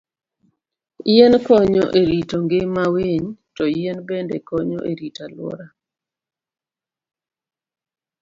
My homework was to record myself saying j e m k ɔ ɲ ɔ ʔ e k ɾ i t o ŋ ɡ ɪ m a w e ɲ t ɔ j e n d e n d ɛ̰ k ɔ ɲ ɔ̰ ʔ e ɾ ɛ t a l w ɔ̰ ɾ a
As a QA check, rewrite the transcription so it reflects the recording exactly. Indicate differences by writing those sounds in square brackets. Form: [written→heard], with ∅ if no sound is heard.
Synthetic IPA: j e [m→n] k ɔ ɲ ɔ ʔ e [k→∅] ɾ i t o ŋ ɡ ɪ m a w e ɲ t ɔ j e n [d→b] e n d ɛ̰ k ɔ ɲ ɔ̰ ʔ e ɾ [ɛ→i] t a l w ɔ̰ ɾ a